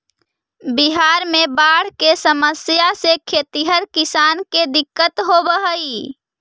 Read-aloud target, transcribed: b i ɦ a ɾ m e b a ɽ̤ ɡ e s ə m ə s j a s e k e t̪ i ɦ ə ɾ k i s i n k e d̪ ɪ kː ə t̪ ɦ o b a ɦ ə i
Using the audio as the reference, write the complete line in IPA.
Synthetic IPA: b i ɦ a ɾ m e b a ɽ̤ k e s ə m ə s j a s e kʰ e t̪ i ɦ ə ɾ k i s a n k e d̪ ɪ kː ə t̪ ɦ o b ə ɦ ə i